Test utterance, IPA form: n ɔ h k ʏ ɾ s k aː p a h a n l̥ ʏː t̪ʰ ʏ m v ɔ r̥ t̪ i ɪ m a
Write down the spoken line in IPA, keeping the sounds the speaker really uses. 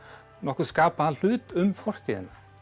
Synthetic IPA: n ɔ h k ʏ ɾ s k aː p a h a n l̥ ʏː t̪ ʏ m f ɔ r̥ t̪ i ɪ n a